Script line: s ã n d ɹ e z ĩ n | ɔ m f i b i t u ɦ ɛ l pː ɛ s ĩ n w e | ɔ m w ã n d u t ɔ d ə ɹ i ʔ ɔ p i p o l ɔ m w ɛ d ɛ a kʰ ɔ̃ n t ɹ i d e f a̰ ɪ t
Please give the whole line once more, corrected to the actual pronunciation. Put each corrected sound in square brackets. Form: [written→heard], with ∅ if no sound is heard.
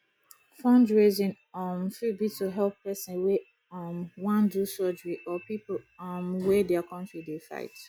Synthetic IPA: [s→f] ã n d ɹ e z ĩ n | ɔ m f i b i t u ɦ ɛ l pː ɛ s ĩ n w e | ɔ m w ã n d u [t→s] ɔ [d→d͡ʒ] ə ɹ i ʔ ɔ p i p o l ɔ m w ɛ d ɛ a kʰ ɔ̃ n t ɹ i d e f a̰ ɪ t

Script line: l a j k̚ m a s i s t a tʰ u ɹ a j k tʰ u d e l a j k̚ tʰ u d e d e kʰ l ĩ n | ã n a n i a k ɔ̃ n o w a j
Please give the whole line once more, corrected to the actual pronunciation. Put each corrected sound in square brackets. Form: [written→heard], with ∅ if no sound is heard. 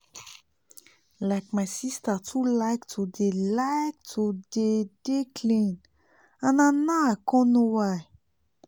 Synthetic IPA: l a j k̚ m a s i s t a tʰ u [ɹ→l] a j k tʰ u d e l a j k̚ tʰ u d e d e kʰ l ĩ n | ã n a n [i→a] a k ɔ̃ n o w a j

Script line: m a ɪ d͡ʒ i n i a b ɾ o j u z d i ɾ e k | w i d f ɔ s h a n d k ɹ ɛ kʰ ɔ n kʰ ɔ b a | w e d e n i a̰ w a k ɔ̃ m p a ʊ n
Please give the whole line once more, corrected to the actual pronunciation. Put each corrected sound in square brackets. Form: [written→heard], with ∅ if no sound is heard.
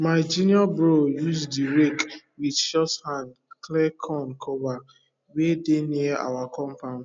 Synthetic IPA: m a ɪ d͡ʒ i n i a b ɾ o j u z d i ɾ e k | w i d [f→ʃ] ɔ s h a n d k [ɹ→l] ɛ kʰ ɔ n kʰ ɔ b a | w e d e n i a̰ w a k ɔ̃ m p a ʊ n

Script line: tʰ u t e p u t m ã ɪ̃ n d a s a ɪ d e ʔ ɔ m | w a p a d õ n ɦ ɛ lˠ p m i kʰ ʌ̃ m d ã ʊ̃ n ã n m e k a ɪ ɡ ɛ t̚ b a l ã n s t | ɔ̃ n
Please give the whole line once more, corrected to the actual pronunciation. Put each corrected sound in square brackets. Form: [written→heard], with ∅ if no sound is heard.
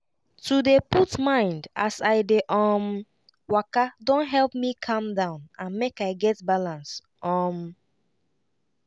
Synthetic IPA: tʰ u [t→d] e p u t m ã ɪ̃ n d a s a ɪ d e ʔ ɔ m | w a [p→k] a d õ n ɦ ɛ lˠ p m i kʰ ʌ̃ m d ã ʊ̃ n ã n m e k a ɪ ɡ ɛ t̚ b a l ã n s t | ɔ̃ [n→m]

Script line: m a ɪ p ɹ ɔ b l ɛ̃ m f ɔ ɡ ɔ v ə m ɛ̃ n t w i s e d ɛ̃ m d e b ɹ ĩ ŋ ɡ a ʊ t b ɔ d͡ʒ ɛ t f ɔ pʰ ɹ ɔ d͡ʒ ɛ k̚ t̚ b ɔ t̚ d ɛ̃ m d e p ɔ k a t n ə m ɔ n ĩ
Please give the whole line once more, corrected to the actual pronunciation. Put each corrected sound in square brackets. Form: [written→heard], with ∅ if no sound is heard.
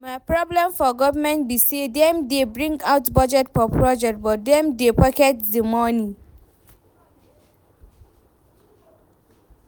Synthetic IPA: m a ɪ p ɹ ɔ b l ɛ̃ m f ɔ ɡ ɔ v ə m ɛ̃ n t [w→b] i s e d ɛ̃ m d e b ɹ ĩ ŋ ɡ a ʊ t b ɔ d͡ʒ ɛ t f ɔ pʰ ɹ ɔ d͡ʒ ɛ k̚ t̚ b ɔ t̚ d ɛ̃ m d e p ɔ k [a→ɛ] t [n→d] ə m ɔ n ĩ

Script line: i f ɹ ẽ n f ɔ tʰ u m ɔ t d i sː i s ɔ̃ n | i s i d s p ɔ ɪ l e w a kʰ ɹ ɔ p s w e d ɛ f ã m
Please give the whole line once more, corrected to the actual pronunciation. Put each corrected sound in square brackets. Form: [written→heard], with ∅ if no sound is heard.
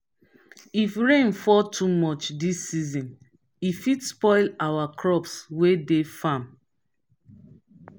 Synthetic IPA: i f ɹ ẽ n f ɔ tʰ u m ɔ [t→t͡ʃ] d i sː i [s→z] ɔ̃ n | i [s→f] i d s p ɔ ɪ l [e→a] w a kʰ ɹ ɔ p s w e d [ɛ→e] f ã m

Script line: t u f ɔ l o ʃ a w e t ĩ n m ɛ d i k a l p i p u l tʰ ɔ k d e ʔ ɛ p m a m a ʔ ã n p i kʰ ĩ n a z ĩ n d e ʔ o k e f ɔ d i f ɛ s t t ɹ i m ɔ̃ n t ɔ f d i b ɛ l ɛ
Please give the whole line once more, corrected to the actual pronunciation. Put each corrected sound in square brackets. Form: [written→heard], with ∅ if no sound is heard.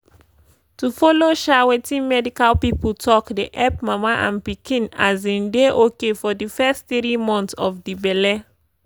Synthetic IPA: t u f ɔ l o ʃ a w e t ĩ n m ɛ d i k a l p i p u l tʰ ɔ k d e ʔ ɛ p m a m a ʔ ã n p i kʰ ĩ n a z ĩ n d e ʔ o k e f ɔ d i f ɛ s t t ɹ i m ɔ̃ n t ɔ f d i b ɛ l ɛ

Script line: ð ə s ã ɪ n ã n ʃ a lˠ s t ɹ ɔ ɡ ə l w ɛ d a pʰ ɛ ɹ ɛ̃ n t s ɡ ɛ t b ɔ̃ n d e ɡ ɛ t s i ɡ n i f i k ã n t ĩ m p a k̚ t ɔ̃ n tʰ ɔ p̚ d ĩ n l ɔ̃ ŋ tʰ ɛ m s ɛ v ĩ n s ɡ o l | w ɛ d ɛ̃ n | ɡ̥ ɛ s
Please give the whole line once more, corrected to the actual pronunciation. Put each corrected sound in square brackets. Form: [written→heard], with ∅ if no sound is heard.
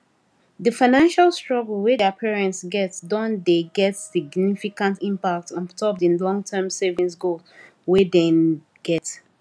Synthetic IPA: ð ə [s→f] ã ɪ n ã n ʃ a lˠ s t ɹ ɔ ɡ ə l w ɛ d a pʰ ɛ ɹ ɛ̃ n t s ɡ ɛ t [b→d] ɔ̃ n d e ɡ ɛ t s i ɡ n i f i k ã n t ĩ m p a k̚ t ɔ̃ n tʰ ɔ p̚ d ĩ n l ɔ̃ ŋ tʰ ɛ m s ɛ v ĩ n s ɡ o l | w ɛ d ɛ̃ n | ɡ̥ ɛ [s→t]

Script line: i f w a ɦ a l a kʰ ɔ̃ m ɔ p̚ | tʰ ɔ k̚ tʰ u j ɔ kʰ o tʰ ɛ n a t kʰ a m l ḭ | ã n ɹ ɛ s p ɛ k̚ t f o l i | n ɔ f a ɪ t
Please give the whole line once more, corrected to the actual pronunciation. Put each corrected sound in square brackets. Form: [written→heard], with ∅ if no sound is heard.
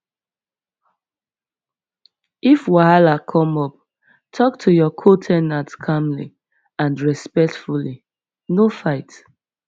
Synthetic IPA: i f w a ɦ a l a kʰ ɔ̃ m ɔ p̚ | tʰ ɔ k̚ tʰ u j ɔ kʰ o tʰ ɛ n a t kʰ a m l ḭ | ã n ɹ ɛ s p ɛ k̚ t f [o→u] l i | n [ɔ→o] f a ɪ t

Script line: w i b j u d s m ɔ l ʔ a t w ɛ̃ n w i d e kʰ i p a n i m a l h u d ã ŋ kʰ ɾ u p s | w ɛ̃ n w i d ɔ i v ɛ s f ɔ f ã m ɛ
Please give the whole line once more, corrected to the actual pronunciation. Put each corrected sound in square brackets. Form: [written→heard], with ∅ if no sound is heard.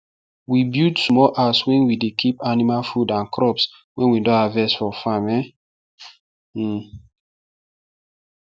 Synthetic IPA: w i b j u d s m ɔ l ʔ a [t→s] w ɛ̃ n w i d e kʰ i p a n i m a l [h→f] u d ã [ŋ→n] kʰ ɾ [u→ɔ] p s | w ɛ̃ n w i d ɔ [i→a] v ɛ s f ɔ f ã m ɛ

